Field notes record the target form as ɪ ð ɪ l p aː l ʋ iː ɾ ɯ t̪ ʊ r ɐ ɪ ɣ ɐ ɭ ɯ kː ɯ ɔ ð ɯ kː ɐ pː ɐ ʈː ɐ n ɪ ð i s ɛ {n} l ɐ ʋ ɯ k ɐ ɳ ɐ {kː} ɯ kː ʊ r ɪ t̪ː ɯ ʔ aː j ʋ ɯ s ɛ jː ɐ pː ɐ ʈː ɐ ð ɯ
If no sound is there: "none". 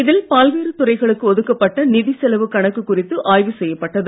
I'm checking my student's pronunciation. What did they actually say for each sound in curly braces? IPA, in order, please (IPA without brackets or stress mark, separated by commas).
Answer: none, kː